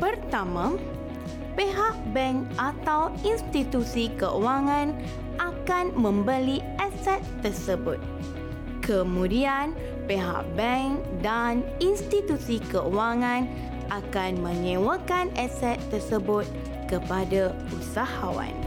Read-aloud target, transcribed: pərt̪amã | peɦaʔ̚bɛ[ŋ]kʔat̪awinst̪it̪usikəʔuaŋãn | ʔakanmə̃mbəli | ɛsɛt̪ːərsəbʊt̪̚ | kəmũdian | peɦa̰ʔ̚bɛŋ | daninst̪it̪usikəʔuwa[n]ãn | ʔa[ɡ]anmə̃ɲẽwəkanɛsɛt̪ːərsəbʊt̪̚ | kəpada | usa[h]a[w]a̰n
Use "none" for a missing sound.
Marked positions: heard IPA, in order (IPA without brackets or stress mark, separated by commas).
ŋ, ŋ, k, h, w